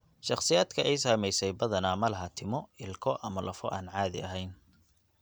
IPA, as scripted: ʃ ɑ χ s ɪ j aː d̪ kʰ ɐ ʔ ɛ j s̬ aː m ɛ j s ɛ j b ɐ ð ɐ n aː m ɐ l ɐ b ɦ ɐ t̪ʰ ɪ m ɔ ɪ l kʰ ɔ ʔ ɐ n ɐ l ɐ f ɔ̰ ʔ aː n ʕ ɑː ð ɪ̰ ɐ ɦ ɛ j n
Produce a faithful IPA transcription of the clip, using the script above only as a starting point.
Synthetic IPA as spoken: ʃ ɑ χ s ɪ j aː d̪ kʰ ɐ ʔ ɛ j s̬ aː m ɛ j s ɛ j b ɐ ð ɐ n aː m ɐ l ɐ ɦ ɐ t̪ʰ ɪ m ɔ ɪ l kʰ ɔ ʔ ɐ m ɐ l ɐ f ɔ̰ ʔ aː n ʕ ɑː ð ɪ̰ ɐ ɦ ɛ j n